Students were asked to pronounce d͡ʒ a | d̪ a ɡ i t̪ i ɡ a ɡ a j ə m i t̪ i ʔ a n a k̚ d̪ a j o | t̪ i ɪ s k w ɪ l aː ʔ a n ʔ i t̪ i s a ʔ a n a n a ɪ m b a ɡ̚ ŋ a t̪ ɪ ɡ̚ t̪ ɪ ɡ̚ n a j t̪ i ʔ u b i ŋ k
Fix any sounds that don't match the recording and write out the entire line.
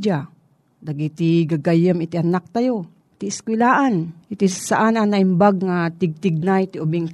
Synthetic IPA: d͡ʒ a | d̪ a ɡ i t̪ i ɡ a ɡ a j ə m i t̪ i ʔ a n a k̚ t̪ a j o | t̪ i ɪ s k w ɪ l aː ʔ a n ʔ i t̪ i s a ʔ a n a n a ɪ m b a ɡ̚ ŋ a t̪ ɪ ɡ̚ t̪ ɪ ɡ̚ n a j t̪ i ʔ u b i ŋ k